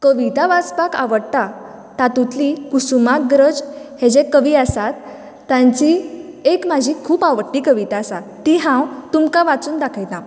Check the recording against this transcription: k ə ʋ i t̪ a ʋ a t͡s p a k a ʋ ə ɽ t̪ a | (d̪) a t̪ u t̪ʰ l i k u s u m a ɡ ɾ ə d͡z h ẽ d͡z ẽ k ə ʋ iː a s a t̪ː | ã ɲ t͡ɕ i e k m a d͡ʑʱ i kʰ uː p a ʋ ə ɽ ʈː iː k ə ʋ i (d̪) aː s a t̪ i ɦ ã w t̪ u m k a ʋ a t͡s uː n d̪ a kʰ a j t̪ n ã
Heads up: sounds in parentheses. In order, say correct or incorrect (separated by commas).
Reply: incorrect, incorrect